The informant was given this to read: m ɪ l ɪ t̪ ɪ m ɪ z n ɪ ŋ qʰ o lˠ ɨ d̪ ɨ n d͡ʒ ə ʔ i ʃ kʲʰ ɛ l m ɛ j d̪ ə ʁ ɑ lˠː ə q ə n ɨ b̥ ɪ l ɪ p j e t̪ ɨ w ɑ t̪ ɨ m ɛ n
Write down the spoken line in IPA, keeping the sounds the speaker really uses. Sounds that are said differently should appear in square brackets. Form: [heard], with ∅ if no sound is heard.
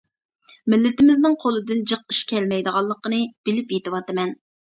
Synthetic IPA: m ɪ [lː] ɪ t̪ ɪ m ɪ z n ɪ ŋ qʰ o lˠ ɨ d̪ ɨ n d͡ʒ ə [q] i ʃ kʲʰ ɛ l m ɛ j d̪ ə ʁ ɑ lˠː ə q ə n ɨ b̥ ɪ l ɪ p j e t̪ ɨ w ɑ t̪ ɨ m ɛ n

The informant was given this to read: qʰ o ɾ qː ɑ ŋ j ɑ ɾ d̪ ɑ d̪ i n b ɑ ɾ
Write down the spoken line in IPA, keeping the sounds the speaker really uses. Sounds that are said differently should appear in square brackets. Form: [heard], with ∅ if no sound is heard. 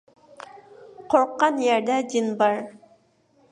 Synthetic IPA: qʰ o ɾ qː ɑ [n] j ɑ ɾ d̪ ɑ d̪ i n b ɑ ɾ

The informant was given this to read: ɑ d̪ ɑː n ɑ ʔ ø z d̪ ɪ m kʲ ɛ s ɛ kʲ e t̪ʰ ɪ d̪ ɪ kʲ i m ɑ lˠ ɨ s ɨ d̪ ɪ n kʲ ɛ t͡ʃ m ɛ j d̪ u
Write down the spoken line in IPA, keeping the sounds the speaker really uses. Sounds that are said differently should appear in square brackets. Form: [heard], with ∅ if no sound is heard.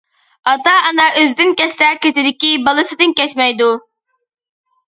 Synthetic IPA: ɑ [t̪] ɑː n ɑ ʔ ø z d̪ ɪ [n] kʲ ɛ s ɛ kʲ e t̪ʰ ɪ d̪ ɪ kʲ i [b] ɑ lˠ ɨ s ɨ d̪ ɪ n kʲ ɛ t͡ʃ m ɛ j d̪ u

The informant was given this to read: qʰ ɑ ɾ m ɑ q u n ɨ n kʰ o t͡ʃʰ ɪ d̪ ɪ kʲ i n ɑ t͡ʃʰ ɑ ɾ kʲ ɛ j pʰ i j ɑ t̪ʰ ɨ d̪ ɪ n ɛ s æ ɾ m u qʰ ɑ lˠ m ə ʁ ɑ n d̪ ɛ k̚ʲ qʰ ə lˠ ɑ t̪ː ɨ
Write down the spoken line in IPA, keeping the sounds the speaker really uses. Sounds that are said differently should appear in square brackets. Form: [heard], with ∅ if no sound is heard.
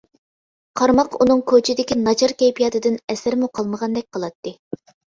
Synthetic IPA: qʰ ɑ ɾ m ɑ q u n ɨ [ŋ] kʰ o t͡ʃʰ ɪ d̪ ɪ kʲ i n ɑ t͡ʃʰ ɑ ɾ kʲ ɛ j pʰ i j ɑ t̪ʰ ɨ d̪ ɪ n ɛ s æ ɾ m u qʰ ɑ lˠ m ə ʁ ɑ n d̪ ɛ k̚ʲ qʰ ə lˠ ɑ t̪ː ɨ

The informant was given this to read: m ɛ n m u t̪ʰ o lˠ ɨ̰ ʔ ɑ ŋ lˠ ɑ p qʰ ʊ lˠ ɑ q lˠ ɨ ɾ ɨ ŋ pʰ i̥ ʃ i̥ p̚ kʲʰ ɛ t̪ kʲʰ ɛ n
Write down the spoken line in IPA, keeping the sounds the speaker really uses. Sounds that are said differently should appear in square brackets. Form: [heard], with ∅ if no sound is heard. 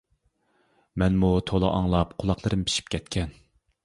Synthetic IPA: m ɛ n m u t̪ʰ o lˠ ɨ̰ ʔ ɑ ŋ lˠ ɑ p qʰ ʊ lˠ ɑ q lˠ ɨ ɾ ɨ [m] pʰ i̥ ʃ i̥ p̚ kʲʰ ɛ t̪ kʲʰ ɛ n

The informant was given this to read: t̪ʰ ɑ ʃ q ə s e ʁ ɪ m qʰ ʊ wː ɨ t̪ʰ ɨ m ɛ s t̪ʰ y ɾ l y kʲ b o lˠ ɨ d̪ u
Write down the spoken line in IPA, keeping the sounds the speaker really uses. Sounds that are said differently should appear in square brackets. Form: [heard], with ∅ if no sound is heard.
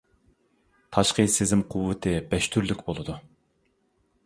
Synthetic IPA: t̪ʰ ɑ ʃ q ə s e [z] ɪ m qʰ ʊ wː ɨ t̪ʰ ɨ [b] ɛ [ʃ] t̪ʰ y ɾ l y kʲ b o lˠ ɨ d̪ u

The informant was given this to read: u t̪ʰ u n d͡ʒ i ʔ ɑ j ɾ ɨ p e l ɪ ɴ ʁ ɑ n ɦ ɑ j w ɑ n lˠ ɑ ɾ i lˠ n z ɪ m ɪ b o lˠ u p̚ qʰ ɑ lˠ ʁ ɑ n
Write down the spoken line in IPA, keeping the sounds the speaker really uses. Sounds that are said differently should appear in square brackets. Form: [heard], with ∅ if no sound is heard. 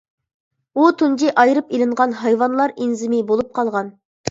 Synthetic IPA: u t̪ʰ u n d͡ʒ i ʔ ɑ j ɾ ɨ p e l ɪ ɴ ʁ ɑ n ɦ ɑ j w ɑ n lˠ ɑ ɾ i [∅] n z ɪ m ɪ b o lˠ u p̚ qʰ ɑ lˠ ʁ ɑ n

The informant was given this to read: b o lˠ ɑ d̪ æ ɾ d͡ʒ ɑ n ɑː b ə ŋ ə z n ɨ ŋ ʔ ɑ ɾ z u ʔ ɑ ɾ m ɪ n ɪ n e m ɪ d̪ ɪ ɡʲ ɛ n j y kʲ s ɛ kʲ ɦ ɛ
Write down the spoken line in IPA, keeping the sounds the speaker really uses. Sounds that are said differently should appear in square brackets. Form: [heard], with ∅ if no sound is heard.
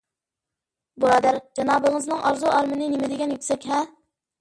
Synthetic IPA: b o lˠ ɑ d̪ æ ɾ d͡ʒ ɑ n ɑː b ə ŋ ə z n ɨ ŋ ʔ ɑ ɾ z u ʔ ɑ ɾ m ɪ n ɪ n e m ɪ d̪ ɪ ɡʲ ɛ n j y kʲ s ɛ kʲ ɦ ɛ

